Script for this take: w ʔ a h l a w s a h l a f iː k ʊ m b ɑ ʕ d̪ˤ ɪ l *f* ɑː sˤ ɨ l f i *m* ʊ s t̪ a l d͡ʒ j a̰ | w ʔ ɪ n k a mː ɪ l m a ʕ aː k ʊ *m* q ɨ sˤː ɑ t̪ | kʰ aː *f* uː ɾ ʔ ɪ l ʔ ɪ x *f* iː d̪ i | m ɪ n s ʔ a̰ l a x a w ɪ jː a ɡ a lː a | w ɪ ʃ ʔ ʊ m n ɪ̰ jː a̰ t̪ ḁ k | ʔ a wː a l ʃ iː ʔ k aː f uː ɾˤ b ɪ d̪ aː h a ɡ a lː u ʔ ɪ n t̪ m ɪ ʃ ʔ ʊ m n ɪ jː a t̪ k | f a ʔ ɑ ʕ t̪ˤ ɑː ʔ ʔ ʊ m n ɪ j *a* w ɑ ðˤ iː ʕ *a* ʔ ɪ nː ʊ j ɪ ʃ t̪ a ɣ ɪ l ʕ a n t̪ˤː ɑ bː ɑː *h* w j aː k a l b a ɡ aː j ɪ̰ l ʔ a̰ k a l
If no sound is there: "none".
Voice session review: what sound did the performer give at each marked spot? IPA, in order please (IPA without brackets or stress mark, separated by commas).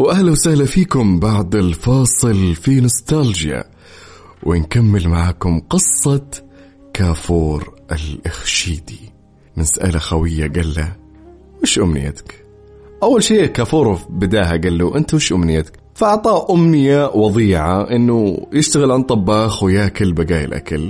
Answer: f, n, m, f, ʃ, a, a, x